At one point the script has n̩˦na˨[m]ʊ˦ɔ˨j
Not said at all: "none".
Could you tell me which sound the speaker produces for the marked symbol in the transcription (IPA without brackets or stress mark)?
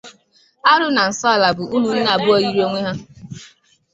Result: b